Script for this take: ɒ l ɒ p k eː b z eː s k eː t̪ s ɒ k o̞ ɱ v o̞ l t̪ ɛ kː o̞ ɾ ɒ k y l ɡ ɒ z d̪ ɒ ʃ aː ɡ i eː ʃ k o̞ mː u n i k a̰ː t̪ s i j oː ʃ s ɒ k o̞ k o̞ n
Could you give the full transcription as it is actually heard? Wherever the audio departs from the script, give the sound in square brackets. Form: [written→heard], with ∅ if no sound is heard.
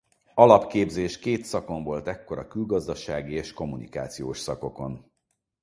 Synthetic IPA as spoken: ɒ l ɒ p k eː b z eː [s→ʃ] k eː t̪ s ɒ k o̞ ɱ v o̞ l t̪ ɛ kː o̞ ɾ ɒ k y l ɡ ɒ z d̪ ɒ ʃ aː ɡ i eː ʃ k o̞ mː u n i k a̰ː t̪ s i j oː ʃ s ɒ k o̞ k o̞ n